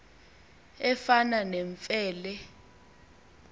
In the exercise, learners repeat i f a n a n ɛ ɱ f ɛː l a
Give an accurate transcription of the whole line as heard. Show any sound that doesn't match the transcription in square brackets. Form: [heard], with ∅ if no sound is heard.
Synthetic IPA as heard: [ɛ] f a n a n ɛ ɱ f ɛː l [ɛ]